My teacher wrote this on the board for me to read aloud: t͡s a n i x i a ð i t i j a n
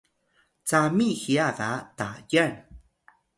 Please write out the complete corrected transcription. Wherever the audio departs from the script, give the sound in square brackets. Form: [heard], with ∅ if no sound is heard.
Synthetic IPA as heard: t͡s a [m] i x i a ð [a] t [a] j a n